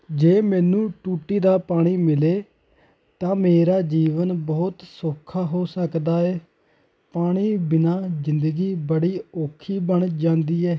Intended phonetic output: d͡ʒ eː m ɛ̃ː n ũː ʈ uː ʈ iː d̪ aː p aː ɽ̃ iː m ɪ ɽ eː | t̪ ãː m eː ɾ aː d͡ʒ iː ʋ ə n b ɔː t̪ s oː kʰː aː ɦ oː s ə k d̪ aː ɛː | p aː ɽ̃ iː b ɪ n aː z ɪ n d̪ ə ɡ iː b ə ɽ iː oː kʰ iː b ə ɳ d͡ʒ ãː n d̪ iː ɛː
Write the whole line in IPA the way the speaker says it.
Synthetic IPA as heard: d͡ʒ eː m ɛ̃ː n ũː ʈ uː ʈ iː d̪ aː p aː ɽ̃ iː m ɪ l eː | t̪ ãː m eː ɾ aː d͡ʒ iː ʋ ə n b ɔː t̪ s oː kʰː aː ɦ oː s ə k d̪ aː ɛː | p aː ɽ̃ iː b ɪ n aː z ɪ n d̪ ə ɡ iː b ə ɽ iː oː kʰ iː b ə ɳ d͡ʒ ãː n d̪ iː ɛː